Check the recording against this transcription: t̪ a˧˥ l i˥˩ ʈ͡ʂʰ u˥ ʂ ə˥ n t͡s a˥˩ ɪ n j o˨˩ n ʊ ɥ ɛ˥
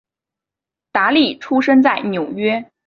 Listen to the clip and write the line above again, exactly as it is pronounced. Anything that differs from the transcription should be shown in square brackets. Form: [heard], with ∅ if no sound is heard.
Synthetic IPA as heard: t̪ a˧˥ l i˥˩ ʈ͡ʂʰ u˥ ʂ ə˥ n t͡s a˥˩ ɪ n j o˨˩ [∅] ʊ ɥ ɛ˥